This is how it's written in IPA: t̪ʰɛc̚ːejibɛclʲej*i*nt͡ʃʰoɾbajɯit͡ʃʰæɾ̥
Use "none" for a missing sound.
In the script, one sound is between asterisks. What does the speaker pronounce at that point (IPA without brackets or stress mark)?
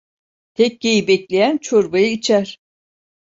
æ